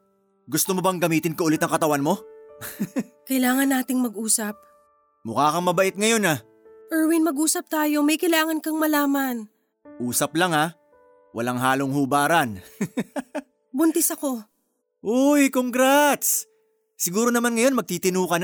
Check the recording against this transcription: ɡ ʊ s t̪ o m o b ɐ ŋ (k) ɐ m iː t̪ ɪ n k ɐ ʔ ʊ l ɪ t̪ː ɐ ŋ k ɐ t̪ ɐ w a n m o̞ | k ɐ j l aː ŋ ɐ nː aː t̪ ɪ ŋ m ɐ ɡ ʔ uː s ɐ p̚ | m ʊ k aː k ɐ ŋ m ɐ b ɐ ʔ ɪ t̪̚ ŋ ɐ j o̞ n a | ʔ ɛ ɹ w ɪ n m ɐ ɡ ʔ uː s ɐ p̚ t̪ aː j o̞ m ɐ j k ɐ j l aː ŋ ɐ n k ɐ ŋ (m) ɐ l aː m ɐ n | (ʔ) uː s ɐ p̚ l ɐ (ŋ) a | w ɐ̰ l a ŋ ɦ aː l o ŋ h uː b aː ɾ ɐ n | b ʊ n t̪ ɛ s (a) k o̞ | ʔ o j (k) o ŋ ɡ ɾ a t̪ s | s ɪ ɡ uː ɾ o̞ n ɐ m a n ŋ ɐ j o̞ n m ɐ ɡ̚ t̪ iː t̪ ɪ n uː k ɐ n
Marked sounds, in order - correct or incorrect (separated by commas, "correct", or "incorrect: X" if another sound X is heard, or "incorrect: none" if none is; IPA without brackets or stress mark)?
incorrect: ɡ, correct, correct, correct, incorrect: ɐ, correct